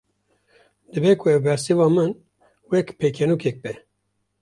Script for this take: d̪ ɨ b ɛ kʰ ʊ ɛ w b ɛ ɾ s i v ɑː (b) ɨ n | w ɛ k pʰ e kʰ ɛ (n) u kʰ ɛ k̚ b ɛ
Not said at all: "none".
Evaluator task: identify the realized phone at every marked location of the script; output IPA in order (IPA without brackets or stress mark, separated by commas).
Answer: m, n